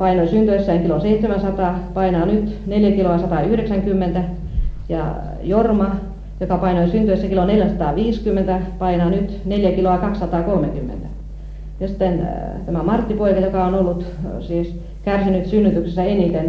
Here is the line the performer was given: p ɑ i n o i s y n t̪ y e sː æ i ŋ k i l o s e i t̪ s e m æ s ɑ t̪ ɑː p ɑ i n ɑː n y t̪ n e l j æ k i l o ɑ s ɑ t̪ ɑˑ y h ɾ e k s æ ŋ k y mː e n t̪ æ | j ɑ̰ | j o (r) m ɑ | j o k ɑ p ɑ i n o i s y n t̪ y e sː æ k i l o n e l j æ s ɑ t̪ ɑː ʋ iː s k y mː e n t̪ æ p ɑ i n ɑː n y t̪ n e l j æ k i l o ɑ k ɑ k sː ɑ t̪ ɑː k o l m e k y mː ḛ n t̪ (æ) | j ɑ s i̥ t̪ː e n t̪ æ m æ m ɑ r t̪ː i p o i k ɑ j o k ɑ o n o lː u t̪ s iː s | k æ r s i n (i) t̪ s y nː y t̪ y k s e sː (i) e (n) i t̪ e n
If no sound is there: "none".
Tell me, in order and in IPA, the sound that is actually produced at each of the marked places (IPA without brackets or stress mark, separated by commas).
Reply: r, æ, y, æ, n